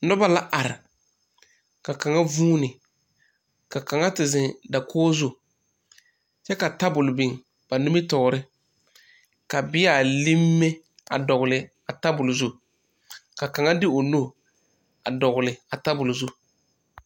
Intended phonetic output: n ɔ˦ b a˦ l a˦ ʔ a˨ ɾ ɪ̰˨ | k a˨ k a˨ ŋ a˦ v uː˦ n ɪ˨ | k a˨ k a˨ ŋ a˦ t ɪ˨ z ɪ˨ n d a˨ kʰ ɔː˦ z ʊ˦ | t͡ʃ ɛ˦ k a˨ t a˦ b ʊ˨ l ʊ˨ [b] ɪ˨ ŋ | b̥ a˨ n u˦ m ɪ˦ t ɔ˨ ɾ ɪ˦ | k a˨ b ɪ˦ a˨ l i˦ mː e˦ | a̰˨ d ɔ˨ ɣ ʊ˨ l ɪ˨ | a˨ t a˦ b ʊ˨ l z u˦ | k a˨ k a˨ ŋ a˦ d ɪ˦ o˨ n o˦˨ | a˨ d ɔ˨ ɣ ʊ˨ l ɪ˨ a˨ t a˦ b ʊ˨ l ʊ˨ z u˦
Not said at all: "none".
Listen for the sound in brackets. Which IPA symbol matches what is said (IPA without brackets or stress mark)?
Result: b